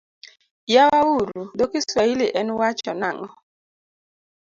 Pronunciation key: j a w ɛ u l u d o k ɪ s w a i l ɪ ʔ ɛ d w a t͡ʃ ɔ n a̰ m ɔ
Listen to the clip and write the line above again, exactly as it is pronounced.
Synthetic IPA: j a w a u ɾ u d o k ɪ s w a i l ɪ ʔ ɛ n w a t͡ʃ ɔ n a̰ ŋ ɔ

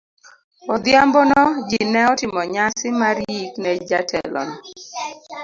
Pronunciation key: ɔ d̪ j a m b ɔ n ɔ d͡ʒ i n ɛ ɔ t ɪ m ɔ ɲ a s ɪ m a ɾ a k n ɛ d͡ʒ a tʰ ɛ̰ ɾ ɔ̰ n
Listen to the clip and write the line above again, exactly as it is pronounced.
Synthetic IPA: ɔ d̪ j a m b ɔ n ɔ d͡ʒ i n ɛ ɔ t ɪ m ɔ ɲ a s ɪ m a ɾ i k n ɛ d͡ʒ a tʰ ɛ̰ l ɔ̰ n

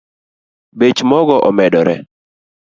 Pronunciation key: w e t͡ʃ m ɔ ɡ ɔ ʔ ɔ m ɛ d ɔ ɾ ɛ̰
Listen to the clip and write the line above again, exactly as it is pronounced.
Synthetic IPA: b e t͡ʃ m ɔ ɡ ɔ ʔ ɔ m ɛ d ɔ ɾ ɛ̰

